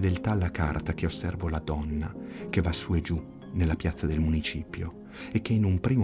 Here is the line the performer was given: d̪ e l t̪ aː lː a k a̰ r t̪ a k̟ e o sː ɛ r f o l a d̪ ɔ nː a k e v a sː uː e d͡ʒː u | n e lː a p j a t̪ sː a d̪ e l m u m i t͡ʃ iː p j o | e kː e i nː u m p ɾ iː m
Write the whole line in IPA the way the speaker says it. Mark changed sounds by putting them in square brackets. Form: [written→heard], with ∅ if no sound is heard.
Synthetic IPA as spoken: d̪ e l t̪ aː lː a k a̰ r t̪ a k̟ e o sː ɛ r [f→v] o l a d̪ ɔ nː a k e v a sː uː e [d͡ʒː→d͡ʒ] u | n e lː a p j a t̪ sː a d̪ e l m u [m→n] i t͡ʃ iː p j o | e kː e i [nː→n] u m p ɾ iː m